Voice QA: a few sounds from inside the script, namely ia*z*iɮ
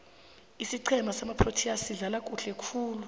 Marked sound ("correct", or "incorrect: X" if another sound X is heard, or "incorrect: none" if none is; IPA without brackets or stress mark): incorrect: s